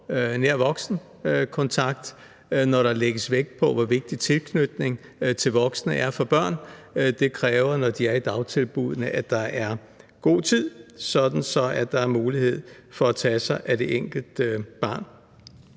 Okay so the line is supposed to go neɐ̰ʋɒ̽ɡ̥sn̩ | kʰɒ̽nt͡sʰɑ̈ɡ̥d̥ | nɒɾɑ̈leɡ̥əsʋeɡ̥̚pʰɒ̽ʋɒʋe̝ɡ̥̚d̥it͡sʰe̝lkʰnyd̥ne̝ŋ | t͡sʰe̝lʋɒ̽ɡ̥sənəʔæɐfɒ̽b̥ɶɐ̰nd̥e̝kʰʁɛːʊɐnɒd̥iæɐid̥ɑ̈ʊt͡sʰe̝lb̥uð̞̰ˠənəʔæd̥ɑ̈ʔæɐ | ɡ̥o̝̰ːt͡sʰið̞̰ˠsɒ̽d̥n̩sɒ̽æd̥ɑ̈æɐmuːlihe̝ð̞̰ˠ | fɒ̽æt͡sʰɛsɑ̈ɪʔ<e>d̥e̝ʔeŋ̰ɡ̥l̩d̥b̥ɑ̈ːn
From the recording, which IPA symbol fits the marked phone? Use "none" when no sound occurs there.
æ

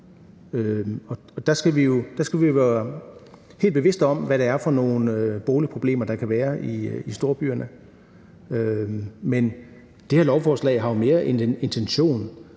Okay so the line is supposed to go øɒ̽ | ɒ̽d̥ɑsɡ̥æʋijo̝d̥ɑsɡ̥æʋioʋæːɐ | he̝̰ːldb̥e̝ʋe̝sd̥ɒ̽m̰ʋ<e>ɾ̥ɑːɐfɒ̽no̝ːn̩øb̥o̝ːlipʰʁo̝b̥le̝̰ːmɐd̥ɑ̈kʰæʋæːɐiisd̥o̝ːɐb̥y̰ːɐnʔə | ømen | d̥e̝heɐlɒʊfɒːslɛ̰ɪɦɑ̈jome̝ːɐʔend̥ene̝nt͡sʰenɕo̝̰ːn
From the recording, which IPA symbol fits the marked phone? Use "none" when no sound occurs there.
æ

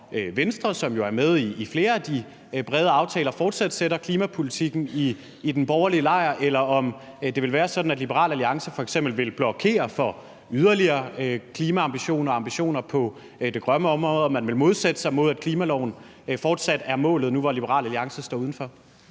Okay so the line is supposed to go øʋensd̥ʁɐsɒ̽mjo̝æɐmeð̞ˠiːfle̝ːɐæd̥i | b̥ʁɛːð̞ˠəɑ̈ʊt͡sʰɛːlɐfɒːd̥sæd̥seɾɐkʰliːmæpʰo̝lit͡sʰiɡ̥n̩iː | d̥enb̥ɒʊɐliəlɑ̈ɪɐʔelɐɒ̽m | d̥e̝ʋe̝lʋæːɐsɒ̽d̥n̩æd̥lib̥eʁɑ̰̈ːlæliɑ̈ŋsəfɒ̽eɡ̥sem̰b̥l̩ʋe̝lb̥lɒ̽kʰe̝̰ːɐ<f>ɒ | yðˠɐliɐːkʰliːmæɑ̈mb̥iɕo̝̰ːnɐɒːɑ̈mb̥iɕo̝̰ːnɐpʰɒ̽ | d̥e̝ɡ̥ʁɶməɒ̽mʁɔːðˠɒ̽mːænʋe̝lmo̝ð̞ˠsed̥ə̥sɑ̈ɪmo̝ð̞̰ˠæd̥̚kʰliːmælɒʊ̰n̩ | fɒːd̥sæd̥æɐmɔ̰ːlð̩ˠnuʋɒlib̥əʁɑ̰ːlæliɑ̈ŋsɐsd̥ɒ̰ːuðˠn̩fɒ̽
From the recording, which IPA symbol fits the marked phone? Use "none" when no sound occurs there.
f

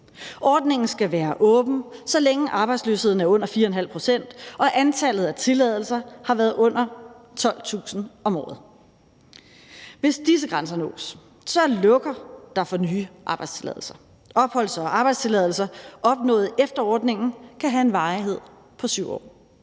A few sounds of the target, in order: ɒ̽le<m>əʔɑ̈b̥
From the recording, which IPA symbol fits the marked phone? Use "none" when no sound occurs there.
ŋ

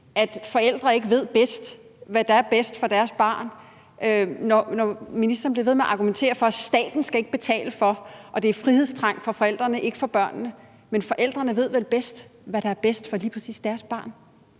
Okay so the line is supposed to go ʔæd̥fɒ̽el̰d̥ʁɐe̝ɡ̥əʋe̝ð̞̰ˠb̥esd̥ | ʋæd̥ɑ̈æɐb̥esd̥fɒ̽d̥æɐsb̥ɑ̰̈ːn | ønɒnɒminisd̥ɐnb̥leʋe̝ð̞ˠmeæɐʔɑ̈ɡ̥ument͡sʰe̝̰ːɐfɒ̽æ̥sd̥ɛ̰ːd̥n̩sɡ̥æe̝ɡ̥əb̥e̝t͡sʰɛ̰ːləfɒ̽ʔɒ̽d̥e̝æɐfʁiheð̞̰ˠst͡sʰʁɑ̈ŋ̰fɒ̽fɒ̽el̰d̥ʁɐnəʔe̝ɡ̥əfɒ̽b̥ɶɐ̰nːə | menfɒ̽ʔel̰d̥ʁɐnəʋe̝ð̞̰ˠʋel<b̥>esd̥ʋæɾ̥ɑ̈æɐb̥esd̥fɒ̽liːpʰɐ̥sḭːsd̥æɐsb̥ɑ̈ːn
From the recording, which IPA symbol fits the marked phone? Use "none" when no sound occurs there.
b̥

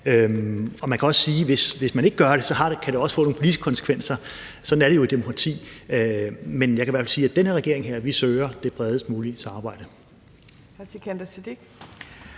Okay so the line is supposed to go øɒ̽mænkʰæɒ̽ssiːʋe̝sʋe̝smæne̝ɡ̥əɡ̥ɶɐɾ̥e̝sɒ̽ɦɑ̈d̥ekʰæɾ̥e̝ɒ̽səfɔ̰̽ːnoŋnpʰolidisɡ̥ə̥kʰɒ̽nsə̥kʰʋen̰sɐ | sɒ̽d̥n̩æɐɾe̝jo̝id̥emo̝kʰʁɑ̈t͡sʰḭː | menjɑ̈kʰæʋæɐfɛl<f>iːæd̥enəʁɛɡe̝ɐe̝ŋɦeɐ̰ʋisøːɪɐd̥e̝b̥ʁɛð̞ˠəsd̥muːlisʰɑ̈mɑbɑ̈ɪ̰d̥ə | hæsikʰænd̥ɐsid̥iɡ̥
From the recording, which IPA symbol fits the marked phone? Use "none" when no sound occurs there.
s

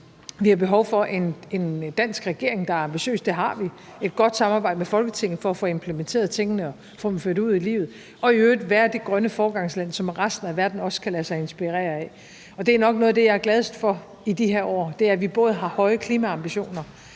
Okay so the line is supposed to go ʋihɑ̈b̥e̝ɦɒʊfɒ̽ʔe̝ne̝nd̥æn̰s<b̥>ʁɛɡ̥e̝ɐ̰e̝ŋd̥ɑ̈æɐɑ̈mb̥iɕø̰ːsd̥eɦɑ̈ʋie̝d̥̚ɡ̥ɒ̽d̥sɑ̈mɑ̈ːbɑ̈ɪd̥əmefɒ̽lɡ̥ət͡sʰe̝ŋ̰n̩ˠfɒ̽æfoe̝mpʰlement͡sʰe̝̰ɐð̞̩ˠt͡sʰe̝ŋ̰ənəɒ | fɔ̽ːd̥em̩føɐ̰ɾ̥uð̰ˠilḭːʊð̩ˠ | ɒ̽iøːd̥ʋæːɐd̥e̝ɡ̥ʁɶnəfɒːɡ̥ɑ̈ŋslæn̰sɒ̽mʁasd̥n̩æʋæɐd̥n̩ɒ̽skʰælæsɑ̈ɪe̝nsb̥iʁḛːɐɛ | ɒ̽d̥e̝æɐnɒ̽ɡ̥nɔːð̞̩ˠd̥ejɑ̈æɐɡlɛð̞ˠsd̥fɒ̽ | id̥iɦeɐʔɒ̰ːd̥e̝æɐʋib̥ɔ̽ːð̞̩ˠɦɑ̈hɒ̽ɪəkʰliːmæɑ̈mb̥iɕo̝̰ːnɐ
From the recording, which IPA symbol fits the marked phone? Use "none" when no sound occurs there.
ɡ̥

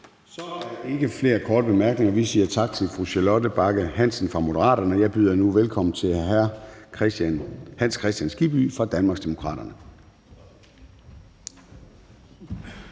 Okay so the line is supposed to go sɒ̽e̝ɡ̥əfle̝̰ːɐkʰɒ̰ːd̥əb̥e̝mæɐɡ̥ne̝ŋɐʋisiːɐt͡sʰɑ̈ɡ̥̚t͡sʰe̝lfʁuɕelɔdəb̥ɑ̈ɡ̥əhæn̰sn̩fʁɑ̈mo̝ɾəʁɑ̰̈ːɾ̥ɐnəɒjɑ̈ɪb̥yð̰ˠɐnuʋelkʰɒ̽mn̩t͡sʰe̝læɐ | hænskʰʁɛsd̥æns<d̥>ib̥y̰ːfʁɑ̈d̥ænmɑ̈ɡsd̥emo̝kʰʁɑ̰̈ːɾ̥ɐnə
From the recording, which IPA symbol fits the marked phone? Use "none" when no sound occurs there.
ɡ̥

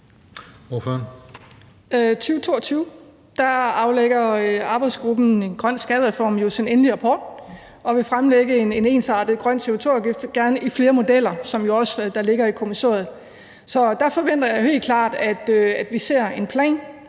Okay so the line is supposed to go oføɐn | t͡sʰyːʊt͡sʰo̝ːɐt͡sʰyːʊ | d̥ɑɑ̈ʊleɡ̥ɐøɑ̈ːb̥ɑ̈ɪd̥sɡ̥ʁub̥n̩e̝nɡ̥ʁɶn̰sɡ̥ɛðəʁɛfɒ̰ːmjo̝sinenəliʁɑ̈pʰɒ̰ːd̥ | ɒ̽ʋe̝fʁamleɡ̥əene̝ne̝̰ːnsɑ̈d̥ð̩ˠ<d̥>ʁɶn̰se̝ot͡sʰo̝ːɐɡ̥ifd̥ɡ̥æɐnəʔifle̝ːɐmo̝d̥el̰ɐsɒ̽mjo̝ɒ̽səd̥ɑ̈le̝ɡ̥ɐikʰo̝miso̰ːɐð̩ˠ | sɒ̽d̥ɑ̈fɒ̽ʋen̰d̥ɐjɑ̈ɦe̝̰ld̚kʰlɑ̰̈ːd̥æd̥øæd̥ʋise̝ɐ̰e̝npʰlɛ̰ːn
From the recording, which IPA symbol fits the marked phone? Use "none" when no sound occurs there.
ɡ̥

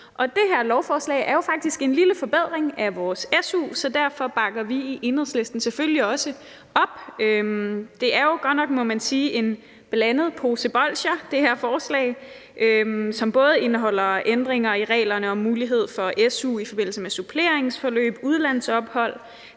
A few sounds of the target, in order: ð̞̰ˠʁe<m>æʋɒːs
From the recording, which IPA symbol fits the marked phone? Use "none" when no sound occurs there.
ŋ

